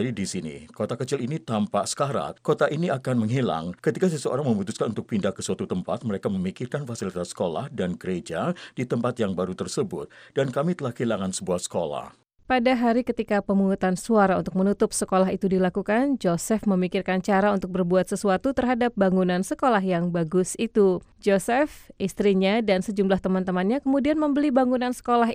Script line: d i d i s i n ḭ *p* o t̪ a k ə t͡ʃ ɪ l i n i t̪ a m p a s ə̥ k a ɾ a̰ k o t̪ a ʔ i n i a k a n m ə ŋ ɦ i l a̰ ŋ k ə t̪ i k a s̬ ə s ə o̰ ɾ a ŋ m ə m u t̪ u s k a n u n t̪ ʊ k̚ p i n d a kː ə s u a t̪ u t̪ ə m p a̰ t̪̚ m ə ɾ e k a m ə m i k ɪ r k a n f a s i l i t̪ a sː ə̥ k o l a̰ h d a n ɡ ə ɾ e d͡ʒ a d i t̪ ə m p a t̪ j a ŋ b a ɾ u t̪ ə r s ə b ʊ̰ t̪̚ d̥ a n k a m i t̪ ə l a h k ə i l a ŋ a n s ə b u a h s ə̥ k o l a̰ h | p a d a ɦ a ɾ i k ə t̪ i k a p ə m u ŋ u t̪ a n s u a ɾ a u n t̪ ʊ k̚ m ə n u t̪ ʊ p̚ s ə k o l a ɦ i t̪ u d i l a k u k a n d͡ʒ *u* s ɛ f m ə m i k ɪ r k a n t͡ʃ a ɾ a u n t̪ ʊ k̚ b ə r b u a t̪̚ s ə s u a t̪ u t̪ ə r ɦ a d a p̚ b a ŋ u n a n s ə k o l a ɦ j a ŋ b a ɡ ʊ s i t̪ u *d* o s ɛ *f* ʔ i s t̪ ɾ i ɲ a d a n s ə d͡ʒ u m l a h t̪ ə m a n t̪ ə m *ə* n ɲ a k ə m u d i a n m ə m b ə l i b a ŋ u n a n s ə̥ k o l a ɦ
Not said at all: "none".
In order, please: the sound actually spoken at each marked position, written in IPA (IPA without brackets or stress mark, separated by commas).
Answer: k, o, d͡ʒ, f, a